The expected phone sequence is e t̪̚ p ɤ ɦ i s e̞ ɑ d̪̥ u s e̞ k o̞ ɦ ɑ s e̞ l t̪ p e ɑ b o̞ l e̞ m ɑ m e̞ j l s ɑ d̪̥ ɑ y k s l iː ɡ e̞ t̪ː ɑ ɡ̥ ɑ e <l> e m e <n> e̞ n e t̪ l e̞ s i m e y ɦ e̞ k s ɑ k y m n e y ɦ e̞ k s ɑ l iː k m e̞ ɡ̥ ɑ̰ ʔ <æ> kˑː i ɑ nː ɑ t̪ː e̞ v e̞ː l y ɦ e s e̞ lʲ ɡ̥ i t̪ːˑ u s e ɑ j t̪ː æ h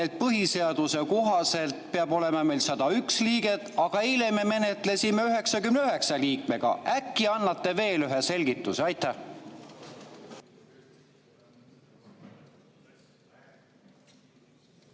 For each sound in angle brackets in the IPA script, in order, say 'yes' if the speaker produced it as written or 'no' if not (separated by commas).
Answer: yes, no, yes